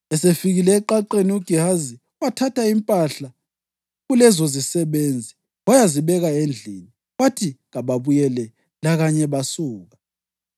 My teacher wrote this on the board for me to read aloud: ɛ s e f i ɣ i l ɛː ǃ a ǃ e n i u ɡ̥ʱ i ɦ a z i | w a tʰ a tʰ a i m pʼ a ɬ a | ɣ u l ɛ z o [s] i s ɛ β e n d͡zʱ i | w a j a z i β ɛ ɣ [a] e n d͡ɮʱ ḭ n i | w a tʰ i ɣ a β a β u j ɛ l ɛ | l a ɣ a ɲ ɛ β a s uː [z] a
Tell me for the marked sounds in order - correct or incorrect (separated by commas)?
incorrect, correct, incorrect